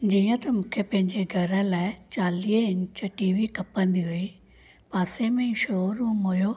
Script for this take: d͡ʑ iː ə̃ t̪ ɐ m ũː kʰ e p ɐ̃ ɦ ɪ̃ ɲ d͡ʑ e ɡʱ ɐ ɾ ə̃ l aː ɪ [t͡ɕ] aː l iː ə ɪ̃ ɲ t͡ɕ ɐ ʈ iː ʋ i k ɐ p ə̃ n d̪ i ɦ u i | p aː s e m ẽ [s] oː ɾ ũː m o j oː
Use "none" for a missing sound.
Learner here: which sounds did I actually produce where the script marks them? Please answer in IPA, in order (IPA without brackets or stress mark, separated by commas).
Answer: t͡ɕ, ʃ